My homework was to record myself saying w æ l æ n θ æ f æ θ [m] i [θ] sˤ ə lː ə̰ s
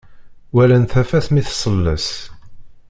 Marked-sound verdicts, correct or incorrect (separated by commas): correct, correct